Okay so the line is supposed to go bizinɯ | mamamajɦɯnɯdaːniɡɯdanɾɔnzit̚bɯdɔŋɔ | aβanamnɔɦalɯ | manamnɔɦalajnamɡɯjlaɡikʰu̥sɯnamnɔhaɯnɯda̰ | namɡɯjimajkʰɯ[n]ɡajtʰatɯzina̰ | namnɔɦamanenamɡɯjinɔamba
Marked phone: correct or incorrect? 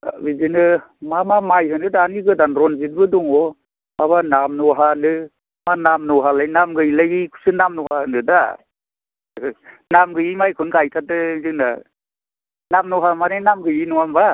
correct